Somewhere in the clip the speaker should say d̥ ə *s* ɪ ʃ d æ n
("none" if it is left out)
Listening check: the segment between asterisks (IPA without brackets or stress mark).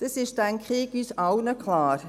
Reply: s